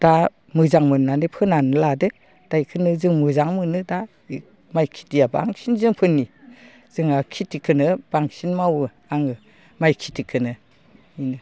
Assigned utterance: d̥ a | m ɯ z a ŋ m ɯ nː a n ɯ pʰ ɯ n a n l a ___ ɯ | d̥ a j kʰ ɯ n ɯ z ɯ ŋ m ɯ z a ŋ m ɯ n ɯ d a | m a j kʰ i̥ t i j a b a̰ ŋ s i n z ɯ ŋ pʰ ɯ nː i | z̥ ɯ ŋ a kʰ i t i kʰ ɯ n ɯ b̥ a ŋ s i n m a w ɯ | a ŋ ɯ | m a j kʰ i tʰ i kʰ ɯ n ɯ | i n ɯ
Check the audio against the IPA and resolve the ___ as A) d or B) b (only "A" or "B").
A